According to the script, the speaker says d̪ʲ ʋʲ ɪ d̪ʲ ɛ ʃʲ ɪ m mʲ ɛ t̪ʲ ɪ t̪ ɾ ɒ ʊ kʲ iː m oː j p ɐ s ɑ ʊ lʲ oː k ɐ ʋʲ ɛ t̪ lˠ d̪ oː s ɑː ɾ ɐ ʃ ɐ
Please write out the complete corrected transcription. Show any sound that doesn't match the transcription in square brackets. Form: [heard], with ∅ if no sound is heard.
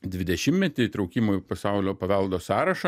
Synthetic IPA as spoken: d̪ʲ ʋʲ ɪ d̪ʲ ɛ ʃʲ ɪ m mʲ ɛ t̪ʲ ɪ t̪ ɾ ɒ ʊ kʲ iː m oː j p ɐ s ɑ ʊ lʲ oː [p] ɐ ʋʲ ɛ [∅] lˠ d̪ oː s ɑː ɾ ɐ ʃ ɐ

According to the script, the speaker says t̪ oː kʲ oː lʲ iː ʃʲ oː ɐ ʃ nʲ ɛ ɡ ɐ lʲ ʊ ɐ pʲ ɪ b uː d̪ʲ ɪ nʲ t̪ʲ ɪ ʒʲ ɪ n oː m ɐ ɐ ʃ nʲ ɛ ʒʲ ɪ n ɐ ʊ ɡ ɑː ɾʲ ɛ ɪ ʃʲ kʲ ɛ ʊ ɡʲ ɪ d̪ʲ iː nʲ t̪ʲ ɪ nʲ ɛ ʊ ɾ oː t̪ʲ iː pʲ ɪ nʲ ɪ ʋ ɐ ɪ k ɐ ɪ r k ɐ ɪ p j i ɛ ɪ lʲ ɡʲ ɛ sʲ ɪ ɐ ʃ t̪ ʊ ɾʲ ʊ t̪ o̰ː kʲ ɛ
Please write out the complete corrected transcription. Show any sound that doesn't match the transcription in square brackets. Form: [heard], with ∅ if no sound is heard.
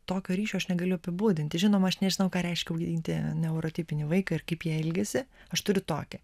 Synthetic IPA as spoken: t̪ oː kʲ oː [ɾʲ] iː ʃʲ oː ɐ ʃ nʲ ɛ ɡ ɐ lʲ ʊ ɐ pʲ ɪ b uː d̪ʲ ɪ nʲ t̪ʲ ɪ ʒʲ ɪ n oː m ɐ ɐ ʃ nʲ ɛ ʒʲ ɪ n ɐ ʊ [k] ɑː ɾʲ ɛ ɪ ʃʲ kʲ ɛ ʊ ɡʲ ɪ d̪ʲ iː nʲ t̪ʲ ɪ nʲ ɛ ʊ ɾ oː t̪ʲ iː pʲ ɪ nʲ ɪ ʋ ɐ ɪ k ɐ ɪ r k ɐ ɪ p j i ɛ ɪ lʲ ɡʲ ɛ sʲ ɪ ɐ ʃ t̪ ʊ ɾʲ ʊ t̪ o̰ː kʲ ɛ

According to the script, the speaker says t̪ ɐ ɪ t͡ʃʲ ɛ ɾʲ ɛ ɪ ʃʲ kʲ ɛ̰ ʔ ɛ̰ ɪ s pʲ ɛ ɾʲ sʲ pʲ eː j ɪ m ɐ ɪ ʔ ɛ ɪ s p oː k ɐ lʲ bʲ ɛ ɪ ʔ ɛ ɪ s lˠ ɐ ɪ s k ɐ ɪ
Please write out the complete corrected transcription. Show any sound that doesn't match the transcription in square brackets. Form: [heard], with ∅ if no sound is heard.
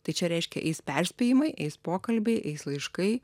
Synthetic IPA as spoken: t̪ ɐ ɪ t͡ʃʲ ɛ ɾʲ ɛ ɪ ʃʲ kʲ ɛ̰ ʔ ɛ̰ ɪ s pʲ ɛ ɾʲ sʲ pʲ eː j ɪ m ɐ ɪ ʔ ɛ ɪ s p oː k ɐ lʲ bʲ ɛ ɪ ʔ ɛ ɪ s lˠ ɐ ɪ [ʃ] k ɐ ɪ

